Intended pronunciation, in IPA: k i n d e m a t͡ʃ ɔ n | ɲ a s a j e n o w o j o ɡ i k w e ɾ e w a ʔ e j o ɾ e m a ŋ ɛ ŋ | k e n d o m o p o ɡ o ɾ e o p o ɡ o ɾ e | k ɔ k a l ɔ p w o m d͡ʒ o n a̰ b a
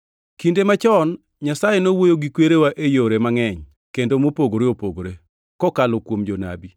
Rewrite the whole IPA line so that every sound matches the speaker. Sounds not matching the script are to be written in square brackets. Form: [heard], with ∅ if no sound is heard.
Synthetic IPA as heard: k i n d e m a t͡ʃ ɔ n | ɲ a s a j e n o w o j o ɡ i k w e ɾ e w a ʔ e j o ɾ e m a ŋ ɛ [ɲ] | k e n d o m o p o ɡ o ɾ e o p o ɡ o ɾ e | k ɔ k a l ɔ [k] w o m d͡ʒ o n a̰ b [i]